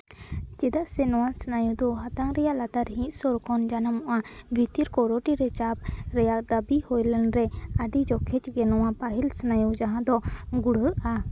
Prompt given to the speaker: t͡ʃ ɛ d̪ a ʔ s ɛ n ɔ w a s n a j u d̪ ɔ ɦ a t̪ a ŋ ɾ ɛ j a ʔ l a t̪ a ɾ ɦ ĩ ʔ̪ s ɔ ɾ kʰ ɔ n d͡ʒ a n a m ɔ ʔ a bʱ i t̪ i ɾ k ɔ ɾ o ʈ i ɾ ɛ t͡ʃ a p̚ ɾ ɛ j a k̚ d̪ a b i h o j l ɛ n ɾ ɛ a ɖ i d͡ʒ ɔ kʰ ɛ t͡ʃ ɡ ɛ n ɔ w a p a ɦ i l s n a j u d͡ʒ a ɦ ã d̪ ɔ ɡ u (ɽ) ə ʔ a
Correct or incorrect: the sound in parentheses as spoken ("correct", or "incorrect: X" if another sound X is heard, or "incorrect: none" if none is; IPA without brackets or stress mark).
correct